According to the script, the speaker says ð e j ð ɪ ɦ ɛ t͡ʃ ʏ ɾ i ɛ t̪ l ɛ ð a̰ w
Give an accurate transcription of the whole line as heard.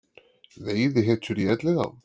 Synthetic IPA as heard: ð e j ð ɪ ɦ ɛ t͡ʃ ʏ ɾ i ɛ t̪ l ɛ ɣ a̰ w

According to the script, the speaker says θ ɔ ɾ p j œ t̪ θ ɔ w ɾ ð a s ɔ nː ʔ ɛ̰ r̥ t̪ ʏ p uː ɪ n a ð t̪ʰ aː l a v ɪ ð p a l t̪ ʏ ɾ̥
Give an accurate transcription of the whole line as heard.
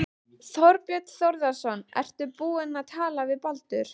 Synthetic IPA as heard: θ ɔ ɾ p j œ t̪ θ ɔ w ɾ ð a s ɔ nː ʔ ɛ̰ r̥ t̪ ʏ p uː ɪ n a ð t̪ʰ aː l a v ɪ ð p a l t̪ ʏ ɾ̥

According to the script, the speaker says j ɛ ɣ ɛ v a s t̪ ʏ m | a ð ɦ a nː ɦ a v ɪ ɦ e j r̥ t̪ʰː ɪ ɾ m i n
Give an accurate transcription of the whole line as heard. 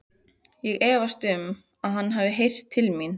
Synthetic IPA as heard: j ɛ ɣ ɛː v a s t̪ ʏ m | a ð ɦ a nː ɦ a v ɪ ɦ e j r̥ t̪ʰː ɪ l m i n

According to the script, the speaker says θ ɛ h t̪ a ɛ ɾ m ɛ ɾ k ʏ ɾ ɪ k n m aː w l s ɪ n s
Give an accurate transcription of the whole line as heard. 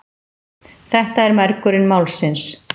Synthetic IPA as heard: θ ɛ h t̪ a ɛ ɾ m ɛ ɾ k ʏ ɾ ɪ n m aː w l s ɪ n s

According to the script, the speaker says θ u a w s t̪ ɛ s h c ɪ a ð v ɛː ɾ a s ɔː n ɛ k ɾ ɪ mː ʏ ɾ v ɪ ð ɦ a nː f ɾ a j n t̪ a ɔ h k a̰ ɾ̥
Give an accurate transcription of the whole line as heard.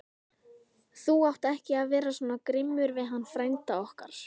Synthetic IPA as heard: θ u a w h t̪ ɛ h c ɪ a ð v ɛː ɾ a s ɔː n a k ɾ ɪ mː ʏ ɾ v ɪ ð ɦ a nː f ɾ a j n t̪ a ɔ h k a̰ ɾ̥

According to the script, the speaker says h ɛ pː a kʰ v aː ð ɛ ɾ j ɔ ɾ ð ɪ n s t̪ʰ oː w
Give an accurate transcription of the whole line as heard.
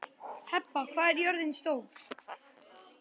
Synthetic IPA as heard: h ɛ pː a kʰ v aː ð ɛ ɾ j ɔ ɾ ð ɪ n s t̪ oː w

